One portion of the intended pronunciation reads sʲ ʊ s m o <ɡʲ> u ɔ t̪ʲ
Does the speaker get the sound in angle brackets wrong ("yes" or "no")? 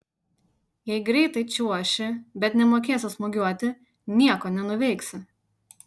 no